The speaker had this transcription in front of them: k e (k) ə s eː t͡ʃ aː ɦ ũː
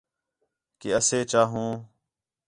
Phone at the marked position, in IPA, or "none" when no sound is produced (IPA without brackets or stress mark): none